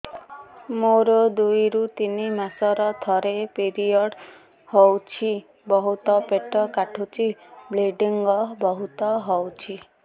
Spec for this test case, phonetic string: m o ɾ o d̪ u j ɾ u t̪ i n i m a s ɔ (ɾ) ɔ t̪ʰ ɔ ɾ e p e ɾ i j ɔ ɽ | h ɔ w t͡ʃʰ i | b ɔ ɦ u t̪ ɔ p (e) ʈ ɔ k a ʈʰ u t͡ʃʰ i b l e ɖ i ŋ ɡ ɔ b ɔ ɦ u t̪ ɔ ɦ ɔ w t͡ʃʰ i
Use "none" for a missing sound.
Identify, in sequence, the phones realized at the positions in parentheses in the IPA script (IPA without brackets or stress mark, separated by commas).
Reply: ɾ, e